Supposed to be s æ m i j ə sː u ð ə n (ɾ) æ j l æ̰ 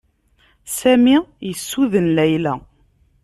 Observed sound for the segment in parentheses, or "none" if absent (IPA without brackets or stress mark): l